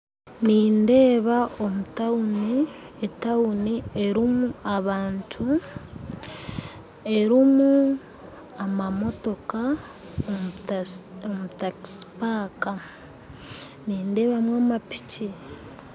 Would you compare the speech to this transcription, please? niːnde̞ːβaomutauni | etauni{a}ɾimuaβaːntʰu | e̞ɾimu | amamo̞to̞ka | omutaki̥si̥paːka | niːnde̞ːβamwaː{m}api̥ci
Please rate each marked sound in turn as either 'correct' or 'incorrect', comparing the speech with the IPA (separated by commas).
incorrect, correct